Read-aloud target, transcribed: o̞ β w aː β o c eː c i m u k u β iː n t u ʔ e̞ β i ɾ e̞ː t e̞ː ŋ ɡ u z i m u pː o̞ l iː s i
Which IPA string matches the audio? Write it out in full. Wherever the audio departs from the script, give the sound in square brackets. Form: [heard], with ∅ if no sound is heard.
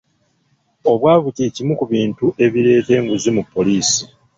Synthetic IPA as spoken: o̞ β w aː β [u] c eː c i m u k u β iː n t u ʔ e̞ β i ɾ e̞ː t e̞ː ŋ ɡ u z i m u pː o̞ l iː s i